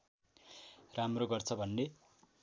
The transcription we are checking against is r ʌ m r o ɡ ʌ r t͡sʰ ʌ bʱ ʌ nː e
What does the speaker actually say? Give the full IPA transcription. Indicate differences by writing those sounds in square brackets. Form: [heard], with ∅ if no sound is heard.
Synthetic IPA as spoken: r [a] m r o ɡ ʌ r t͡sʰ ʌ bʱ ʌ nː e